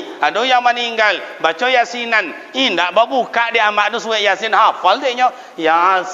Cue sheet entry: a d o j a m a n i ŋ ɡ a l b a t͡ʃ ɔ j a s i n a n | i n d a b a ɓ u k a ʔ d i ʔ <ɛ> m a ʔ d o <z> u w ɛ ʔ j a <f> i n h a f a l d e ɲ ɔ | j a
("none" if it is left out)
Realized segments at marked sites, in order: a, s, s

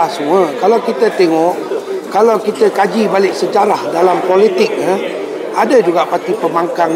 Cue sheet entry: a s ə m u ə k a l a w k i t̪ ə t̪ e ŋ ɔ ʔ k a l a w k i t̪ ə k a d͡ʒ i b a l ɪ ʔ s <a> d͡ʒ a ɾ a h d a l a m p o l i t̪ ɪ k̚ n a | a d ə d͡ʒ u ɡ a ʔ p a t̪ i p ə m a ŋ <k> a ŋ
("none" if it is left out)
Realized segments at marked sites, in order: ə, k

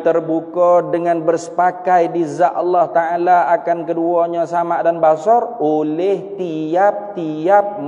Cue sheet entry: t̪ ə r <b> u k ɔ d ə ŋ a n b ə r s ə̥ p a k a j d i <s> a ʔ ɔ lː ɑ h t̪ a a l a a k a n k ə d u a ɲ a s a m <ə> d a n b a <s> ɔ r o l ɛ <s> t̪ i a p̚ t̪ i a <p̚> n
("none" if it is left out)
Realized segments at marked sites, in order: b, z, a, s, h, p̚

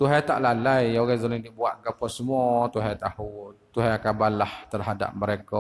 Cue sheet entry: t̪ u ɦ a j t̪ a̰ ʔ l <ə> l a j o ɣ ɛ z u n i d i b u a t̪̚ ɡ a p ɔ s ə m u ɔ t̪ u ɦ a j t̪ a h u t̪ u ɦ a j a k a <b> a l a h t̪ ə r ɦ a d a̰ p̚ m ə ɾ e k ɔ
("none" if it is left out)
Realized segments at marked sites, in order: a, b

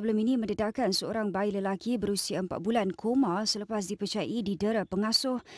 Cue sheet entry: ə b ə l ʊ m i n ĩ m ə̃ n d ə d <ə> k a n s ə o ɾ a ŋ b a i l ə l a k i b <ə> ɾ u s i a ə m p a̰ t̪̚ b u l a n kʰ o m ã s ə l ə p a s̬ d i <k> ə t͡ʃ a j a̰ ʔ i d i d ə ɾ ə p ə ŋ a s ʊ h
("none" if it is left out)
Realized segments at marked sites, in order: a, ə, p

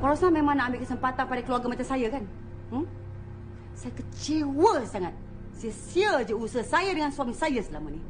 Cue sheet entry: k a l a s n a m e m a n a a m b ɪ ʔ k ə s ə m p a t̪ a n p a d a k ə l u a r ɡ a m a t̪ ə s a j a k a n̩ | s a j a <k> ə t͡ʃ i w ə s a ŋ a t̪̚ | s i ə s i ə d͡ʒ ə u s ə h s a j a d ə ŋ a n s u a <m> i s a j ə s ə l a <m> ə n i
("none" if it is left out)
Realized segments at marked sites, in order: k, m, m

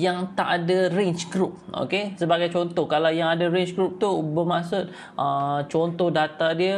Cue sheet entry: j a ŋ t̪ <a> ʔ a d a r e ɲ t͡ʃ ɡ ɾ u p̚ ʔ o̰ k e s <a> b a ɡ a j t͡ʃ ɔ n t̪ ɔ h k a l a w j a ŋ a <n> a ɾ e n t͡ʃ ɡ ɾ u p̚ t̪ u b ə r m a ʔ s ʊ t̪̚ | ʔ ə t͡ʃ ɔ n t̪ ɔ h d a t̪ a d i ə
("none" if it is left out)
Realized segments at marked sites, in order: a, ə, d

